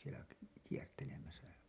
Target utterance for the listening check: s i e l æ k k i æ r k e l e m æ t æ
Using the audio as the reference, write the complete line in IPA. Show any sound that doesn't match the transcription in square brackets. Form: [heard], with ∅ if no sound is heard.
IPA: s i e l æ k k i [e] r [t] e l e m æ [s] æ